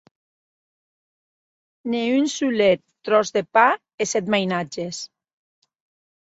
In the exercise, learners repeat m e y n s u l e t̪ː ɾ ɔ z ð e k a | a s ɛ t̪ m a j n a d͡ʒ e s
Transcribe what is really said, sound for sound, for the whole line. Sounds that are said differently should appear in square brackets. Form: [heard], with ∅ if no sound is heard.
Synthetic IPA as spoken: [n] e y n s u l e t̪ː ɾ ɔ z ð e [p] a | [e] s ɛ t̪ m a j n a d͡ʒ e s